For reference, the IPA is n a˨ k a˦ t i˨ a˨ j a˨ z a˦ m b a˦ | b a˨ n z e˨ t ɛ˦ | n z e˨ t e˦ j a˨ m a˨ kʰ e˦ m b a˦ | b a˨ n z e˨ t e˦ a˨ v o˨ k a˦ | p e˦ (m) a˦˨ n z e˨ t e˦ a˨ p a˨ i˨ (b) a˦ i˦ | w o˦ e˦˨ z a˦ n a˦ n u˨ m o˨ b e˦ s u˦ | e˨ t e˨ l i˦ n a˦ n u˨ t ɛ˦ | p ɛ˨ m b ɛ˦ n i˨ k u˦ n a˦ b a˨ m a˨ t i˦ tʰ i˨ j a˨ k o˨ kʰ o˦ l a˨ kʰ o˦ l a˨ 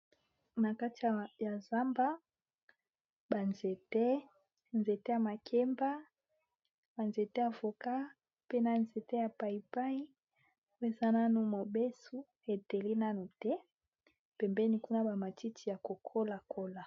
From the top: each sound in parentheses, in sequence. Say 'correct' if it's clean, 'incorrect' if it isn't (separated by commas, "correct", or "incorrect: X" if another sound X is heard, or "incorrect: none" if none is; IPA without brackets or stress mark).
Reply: incorrect: n, incorrect: p